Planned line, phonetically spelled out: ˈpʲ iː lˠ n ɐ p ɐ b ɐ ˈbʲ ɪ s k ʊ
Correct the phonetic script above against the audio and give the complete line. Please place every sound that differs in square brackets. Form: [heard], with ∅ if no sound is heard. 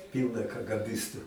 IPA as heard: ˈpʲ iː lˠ n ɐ [k] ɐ [ɡ] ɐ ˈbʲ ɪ s [t] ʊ